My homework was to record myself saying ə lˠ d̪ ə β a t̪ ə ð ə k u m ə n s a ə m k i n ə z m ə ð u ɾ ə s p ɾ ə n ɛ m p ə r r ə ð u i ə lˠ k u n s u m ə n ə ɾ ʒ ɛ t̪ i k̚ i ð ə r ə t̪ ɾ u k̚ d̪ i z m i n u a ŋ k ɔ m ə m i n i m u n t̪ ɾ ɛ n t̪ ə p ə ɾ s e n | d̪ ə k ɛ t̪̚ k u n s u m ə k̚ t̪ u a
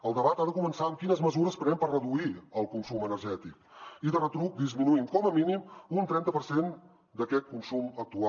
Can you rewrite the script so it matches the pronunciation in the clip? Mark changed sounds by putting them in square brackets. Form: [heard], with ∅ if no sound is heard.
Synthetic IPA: ə lˠ d̪ ə β a t̪ [a] ð ə k u m ə n s a ə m k i n ə z m ə [z] u ɾ ə s p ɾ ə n ɛ m p ə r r ə ð u i ə lˠ k u n s u m ə n ə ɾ ʒ ɛ t̪ i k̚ i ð ə r ə t̪ ɾ u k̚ d̪ i z m i n u [i] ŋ k ɔ m ə m i n i m u n t̪ ɾ ɛ n t̪ ə p ə ɾ s e n | d̪ ə k ɛ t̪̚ k u n s u m ə k̚ t̪ u a